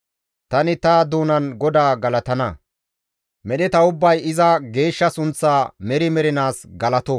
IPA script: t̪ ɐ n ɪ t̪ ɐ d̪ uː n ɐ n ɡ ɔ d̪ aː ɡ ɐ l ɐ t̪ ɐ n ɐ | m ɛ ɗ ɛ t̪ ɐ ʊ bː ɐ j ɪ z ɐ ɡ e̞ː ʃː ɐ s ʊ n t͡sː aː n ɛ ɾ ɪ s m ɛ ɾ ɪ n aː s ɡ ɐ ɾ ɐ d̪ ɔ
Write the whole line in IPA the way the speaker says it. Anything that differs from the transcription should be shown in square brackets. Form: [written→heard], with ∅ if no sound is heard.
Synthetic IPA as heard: t̪ ɐ n ɪ t̪ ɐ d̪ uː n ɐ n ɡ ɔ d̪ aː ɡ ɐ l ɐ t̪ ɐ n ɐ | m ɛ ɗ ɛ t̪ ɐ ʊ bː ɐ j ɪ z ɐ ɡ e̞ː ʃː ɐ s ʊ n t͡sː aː [n→m] ɛ ɾ ɪ [s→∅] m ɛ ɾ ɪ n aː s ɡ ɐ [ɾ→l] ɐ [d̪→t̪] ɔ